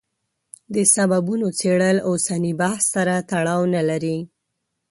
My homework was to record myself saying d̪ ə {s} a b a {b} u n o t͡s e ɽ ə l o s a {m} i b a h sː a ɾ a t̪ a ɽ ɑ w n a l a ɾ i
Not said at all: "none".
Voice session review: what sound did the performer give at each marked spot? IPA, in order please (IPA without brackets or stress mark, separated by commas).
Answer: s, b, n